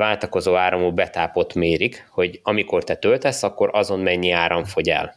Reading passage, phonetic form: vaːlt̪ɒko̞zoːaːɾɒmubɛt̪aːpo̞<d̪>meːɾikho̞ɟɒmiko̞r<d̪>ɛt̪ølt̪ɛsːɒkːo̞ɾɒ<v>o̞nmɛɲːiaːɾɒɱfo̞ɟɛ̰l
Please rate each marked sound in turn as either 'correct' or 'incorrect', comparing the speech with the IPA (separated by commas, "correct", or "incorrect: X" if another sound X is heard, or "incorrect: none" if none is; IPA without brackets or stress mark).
incorrect: t̪, incorrect: t̪, incorrect: z